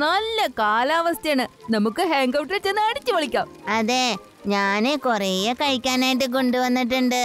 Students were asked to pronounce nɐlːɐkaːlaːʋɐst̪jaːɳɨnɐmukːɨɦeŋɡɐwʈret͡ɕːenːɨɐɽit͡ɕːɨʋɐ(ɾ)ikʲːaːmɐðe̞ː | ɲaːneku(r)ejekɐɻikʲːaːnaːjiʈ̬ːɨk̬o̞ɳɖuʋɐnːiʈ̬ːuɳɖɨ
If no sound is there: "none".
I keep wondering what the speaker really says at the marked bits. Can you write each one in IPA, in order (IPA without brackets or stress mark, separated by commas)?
ɭ, r